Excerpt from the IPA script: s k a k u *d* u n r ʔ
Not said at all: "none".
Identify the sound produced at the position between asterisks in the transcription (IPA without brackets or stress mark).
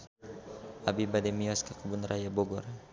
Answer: b